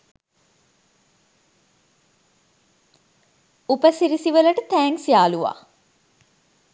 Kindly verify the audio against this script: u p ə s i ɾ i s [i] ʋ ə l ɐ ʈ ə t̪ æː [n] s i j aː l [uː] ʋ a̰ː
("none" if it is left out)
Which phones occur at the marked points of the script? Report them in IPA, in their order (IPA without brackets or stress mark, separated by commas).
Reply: i, ŋ, u